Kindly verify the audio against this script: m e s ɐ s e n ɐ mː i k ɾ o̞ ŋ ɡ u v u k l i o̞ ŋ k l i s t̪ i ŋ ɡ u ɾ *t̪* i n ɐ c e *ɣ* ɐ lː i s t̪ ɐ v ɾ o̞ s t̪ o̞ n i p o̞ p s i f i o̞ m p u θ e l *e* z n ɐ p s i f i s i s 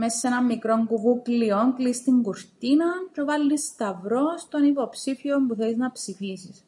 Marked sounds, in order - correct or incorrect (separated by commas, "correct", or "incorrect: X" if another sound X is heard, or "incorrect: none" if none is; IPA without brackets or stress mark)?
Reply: correct, incorrect: v, incorrect: i